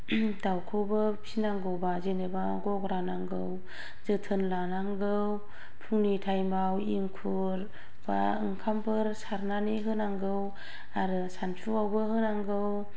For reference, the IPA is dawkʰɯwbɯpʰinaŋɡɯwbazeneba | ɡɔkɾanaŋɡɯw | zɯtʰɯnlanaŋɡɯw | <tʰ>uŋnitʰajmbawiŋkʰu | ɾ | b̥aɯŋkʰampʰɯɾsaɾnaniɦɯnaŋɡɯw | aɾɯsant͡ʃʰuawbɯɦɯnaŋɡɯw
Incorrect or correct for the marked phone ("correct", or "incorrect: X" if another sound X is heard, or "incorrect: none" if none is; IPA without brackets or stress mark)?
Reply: incorrect: pʰ